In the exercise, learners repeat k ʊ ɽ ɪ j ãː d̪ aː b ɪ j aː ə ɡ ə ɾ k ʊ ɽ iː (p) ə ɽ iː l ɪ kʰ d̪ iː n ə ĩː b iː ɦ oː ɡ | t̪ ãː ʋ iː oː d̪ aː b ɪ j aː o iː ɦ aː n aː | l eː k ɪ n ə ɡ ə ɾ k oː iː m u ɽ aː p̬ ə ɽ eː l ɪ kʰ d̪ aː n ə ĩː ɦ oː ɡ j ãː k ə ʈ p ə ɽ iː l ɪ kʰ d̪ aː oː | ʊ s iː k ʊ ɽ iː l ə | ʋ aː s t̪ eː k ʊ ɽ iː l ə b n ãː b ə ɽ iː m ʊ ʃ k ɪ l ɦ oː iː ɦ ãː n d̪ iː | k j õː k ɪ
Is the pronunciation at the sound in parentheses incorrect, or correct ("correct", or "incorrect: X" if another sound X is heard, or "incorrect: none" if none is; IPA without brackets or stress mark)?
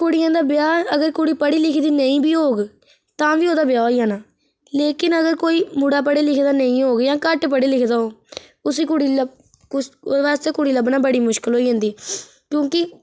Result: correct